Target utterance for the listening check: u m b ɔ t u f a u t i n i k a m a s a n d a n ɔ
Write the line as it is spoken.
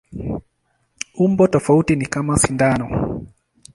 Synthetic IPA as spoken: u m b ɔ t ɔ f a u t i n i k a m a s i n d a n ɔ